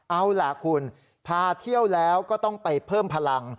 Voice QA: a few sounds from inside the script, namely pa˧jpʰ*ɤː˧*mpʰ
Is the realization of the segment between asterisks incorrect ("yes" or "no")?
yes